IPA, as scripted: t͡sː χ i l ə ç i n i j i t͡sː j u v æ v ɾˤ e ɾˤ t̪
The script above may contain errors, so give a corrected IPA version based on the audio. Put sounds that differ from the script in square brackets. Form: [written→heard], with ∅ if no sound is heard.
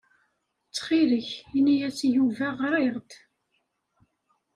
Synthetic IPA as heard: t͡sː χ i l ə ç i n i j [i→æ] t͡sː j u v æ [v→ʁ] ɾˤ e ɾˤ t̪